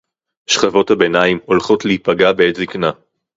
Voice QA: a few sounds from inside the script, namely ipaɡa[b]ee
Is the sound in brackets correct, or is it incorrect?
correct